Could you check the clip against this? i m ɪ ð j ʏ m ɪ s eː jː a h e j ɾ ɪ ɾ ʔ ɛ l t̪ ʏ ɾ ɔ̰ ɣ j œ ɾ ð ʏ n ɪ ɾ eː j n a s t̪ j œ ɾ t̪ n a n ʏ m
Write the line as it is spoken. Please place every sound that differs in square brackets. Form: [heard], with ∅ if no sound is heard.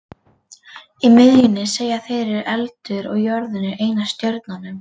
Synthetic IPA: i m ɪ ð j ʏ [n] ɪ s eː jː a [θ] e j ɾ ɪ ɾ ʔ ɛ l t̪ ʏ ɾ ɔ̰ ɣ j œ ɾ ð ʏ n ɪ ɾ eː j n a s t̪ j œ ɾ t̪ n a n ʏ m